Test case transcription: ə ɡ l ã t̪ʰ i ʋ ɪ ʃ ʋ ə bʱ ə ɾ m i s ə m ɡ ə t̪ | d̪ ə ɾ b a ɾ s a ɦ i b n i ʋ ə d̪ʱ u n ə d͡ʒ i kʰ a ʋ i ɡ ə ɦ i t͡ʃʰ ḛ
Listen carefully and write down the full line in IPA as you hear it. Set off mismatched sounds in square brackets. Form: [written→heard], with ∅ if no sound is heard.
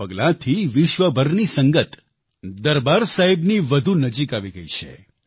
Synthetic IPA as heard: ə ɡ l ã t̪ʰ i ʋ ɪ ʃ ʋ ə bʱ ə ɾ [m→n] i s ə [m→ŋ] ɡ ə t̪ | d̪ ə ɾ b a ɾ s a ɦ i b n i ʋ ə d̪ʱ u n ə d͡ʒ i [kʰ→k] a ʋ i ɡ ə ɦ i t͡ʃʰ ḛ